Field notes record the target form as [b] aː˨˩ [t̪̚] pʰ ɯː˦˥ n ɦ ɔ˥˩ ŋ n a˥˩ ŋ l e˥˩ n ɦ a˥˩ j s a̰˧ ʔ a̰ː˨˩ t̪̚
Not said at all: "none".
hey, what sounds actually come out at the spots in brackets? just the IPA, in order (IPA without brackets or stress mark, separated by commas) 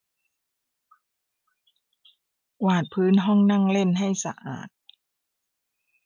w, t̪̚